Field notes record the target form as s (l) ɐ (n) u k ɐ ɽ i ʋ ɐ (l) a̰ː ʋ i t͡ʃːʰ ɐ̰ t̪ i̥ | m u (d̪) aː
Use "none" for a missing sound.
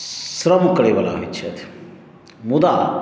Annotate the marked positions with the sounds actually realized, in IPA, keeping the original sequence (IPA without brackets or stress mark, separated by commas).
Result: ɾ, m, l, d̪